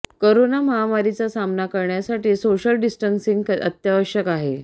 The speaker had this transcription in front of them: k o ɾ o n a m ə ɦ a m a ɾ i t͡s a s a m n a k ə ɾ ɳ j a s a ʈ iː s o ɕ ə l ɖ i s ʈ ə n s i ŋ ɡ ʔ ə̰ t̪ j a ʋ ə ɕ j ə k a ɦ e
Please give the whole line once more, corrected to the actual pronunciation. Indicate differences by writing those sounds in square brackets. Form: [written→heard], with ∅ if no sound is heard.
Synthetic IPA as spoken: k o ɾ o n a m ə ɦ a m a ɾ i t͡s a s a m n a k ə ɾ ɳ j a s a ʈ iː s o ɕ ə l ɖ i s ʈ ə n s i ŋ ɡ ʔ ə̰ t̪ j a ʋ ə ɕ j ə k a ɦ e